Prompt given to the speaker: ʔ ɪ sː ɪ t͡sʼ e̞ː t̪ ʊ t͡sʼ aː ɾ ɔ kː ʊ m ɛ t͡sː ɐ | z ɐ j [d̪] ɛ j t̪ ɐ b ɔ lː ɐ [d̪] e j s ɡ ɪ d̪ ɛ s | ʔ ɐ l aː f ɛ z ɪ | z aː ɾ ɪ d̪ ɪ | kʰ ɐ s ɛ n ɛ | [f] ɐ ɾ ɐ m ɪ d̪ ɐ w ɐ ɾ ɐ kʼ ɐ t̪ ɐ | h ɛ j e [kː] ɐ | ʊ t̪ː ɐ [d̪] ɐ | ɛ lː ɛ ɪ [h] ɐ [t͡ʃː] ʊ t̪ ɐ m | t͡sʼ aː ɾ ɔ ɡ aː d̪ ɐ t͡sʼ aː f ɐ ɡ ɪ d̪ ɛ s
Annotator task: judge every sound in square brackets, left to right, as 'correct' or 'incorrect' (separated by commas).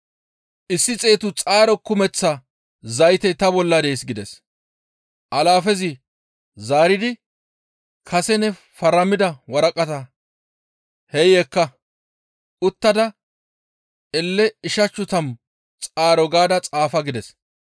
incorrect, correct, correct, correct, correct, incorrect, correct